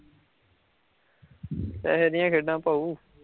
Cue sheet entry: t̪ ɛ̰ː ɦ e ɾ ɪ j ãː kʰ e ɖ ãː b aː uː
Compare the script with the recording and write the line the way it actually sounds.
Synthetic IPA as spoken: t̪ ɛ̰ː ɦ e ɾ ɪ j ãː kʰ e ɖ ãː p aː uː